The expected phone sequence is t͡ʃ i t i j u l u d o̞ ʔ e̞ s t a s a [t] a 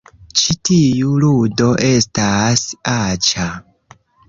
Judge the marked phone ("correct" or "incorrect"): incorrect